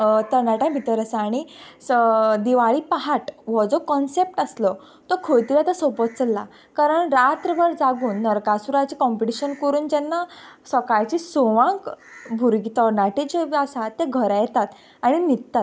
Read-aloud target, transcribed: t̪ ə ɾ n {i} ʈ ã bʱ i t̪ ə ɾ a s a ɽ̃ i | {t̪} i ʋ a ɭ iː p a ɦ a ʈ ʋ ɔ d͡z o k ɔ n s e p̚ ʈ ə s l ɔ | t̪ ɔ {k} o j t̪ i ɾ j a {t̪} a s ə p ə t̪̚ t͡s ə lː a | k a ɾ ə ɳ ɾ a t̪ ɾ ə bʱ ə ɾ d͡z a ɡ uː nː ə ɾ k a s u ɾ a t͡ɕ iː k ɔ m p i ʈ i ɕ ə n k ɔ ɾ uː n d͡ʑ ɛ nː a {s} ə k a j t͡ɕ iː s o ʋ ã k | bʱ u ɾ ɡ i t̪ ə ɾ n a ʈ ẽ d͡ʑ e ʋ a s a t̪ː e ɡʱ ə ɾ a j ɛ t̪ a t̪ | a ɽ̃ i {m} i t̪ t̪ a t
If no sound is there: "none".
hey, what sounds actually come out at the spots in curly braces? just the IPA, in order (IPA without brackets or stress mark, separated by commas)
a, d̪, kʰ, t̪, s, n